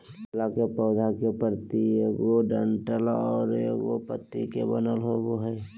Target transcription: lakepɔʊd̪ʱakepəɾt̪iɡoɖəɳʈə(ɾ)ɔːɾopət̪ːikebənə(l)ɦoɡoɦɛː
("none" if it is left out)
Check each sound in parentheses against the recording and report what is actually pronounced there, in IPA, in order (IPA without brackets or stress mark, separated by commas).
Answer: l, l